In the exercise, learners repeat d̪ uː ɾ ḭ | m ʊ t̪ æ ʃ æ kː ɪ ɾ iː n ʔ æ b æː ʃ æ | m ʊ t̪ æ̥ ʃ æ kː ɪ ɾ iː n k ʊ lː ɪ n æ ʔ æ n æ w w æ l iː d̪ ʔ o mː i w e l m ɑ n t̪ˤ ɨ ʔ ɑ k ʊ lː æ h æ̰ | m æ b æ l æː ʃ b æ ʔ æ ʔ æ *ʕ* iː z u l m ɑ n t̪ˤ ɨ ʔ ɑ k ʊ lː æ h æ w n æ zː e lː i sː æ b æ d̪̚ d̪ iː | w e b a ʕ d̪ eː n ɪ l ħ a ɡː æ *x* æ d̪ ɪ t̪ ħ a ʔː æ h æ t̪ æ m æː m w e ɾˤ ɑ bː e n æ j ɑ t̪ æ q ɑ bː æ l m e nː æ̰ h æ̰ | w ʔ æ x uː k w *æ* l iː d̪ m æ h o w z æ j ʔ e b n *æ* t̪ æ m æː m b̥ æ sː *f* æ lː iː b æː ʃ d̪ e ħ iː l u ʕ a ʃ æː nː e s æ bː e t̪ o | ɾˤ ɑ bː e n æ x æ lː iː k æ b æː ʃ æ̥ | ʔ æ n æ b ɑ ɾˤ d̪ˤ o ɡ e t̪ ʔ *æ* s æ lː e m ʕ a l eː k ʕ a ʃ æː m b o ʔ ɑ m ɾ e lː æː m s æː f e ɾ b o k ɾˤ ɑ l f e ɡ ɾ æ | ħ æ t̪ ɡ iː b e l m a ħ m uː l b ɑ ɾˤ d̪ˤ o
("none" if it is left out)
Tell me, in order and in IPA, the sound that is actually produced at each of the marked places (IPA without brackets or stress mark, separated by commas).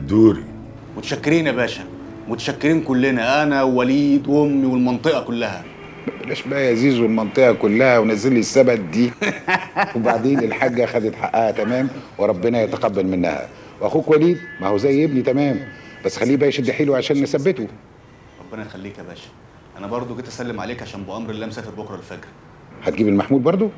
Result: z, x, æ, i, x, æ